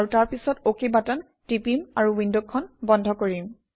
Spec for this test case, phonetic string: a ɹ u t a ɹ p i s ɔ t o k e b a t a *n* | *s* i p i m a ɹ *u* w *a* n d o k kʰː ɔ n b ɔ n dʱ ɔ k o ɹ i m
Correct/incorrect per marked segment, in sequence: correct, incorrect: t, correct, incorrect: i

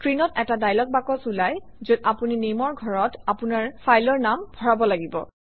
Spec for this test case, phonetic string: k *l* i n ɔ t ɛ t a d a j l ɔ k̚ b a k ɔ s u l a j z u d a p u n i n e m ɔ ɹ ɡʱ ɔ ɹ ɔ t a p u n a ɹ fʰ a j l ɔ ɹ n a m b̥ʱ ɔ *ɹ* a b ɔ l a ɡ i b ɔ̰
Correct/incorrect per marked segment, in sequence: incorrect: ɹ, correct

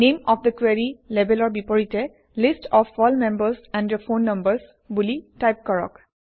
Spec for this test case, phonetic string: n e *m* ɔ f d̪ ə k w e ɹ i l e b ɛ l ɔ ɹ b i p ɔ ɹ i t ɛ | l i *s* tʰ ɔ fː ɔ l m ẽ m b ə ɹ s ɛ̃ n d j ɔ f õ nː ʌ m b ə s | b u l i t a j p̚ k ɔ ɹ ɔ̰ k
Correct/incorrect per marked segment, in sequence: correct, correct

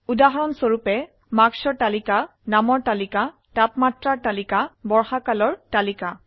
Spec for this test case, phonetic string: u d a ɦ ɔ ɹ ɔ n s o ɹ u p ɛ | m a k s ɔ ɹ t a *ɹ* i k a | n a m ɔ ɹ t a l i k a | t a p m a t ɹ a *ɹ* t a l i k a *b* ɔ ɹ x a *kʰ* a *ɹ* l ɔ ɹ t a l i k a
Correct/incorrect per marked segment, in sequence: incorrect: l, correct, correct, incorrect: k, incorrect: none

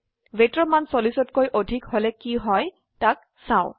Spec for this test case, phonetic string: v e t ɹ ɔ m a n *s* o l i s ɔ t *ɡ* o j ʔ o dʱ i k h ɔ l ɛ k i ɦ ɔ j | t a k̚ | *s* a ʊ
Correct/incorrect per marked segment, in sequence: correct, incorrect: k, correct

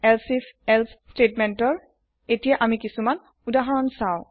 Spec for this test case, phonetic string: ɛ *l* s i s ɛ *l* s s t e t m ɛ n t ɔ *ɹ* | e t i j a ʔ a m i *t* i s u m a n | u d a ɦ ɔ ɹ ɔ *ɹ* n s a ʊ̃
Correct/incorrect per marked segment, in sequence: correct, correct, correct, incorrect: k, incorrect: none

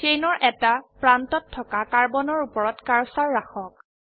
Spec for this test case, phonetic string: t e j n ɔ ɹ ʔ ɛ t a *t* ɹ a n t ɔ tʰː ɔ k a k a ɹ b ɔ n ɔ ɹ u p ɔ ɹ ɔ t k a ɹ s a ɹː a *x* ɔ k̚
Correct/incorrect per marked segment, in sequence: incorrect: p, correct

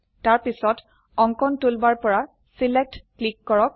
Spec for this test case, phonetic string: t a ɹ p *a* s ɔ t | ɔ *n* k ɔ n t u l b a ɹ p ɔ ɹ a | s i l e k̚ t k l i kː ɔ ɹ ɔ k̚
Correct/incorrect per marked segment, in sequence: incorrect: i, incorrect: ŋ

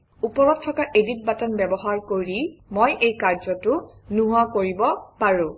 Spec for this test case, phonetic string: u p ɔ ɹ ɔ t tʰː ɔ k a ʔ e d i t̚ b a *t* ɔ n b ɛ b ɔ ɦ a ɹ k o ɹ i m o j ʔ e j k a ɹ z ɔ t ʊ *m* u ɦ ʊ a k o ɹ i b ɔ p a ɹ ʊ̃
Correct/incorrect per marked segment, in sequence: correct, incorrect: n

